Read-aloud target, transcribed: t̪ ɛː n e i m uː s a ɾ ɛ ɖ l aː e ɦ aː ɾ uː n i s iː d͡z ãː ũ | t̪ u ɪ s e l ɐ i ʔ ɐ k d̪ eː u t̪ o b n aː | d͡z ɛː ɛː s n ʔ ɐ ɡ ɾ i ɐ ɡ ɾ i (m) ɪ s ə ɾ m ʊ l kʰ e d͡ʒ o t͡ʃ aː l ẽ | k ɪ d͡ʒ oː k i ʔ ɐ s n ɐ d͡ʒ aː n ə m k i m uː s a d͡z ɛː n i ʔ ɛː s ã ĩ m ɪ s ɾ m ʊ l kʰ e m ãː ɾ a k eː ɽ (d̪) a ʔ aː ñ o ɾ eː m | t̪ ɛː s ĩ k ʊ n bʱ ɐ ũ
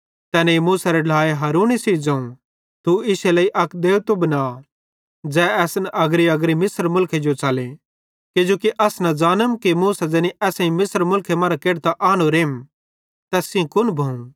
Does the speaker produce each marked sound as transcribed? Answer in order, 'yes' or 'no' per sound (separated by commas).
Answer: yes, no